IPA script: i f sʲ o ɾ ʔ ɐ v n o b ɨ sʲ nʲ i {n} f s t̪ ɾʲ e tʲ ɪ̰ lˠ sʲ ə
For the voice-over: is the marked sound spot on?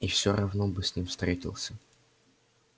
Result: no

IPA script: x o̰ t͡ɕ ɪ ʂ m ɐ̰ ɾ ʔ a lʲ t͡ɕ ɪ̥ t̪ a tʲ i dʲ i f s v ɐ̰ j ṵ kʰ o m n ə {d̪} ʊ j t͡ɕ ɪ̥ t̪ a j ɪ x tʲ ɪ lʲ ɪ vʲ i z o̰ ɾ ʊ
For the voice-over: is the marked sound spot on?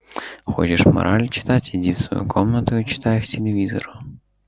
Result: no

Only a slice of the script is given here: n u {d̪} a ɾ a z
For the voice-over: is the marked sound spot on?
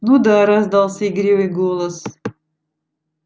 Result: yes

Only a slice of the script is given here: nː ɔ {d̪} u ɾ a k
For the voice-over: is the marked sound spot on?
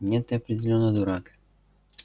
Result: yes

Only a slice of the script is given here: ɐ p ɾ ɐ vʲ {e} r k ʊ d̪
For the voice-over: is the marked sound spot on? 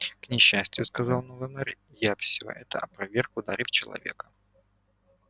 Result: yes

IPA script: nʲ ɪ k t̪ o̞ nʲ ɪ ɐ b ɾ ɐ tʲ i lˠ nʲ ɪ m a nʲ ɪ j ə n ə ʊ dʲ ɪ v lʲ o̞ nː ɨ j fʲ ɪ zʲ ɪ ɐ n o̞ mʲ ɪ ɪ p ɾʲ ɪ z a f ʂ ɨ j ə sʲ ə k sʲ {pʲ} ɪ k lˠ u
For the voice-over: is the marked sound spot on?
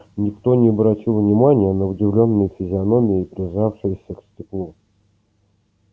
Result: no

